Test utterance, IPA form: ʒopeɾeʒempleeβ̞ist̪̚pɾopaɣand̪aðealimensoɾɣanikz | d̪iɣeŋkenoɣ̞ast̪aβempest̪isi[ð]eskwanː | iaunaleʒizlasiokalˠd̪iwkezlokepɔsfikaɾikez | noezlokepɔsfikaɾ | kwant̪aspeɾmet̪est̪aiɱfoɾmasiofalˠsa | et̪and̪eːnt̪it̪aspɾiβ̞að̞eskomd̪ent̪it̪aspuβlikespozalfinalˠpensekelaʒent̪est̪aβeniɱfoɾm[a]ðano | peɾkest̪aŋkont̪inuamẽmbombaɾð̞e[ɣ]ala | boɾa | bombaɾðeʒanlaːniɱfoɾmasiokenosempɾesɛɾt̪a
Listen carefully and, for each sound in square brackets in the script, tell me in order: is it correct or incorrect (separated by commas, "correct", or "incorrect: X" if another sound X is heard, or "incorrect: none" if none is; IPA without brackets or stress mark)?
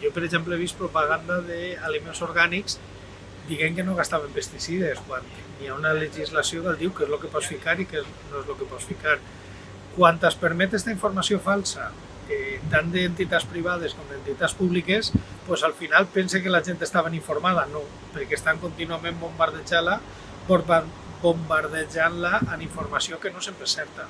correct, correct, incorrect: ʒ